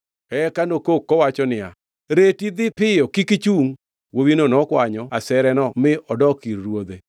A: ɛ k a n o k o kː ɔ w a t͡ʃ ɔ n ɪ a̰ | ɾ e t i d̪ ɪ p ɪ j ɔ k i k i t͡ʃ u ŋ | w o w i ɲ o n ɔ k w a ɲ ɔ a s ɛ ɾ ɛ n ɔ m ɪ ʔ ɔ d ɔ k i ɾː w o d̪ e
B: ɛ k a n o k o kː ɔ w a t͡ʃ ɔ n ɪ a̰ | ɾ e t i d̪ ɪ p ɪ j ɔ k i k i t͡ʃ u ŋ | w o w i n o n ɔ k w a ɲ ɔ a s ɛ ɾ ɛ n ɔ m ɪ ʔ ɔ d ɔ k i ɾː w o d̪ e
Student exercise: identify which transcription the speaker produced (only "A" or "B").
B